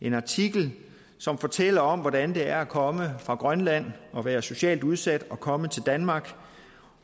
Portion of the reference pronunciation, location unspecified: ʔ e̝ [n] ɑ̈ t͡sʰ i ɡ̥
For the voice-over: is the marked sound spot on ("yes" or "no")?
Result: yes